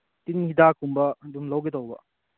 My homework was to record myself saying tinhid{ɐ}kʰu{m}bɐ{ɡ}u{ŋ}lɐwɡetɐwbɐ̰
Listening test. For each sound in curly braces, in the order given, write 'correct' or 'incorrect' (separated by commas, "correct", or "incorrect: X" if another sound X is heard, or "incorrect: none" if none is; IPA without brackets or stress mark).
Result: incorrect: a, correct, incorrect: d, incorrect: m